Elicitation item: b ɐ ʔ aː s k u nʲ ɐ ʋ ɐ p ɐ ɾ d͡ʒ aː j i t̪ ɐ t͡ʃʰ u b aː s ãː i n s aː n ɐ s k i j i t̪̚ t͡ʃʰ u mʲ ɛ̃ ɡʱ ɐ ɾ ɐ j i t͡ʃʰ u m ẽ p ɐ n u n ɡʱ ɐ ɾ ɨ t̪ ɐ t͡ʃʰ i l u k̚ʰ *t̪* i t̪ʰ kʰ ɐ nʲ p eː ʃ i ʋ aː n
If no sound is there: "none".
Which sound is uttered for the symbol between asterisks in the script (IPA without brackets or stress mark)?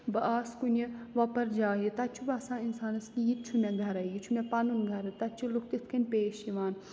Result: t̪